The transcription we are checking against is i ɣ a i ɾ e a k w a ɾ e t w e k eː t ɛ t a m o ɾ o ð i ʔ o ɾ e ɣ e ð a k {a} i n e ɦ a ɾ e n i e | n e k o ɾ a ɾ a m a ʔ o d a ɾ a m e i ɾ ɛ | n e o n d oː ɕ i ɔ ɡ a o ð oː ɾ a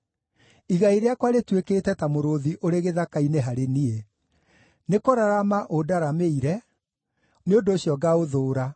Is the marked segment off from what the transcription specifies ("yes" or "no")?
no